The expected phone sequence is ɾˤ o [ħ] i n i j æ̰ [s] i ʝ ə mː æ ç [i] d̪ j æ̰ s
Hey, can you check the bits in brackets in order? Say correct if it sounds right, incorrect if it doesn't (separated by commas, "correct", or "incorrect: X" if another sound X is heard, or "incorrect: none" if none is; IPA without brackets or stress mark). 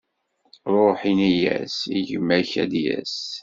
correct, correct, incorrect: æ